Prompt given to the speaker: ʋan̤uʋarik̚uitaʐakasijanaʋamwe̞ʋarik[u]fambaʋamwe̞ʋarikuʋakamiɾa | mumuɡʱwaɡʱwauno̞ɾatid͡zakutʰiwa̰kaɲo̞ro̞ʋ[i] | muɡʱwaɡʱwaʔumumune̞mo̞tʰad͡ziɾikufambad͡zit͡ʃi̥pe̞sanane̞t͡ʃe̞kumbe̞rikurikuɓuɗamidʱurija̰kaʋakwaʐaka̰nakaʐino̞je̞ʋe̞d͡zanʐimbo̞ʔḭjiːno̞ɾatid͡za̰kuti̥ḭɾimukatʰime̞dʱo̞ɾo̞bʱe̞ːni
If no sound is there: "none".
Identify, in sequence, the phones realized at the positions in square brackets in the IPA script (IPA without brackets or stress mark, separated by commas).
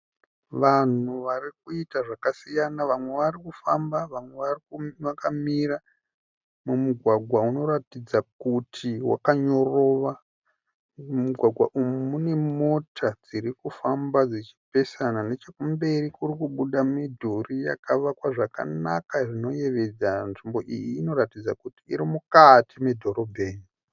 u, a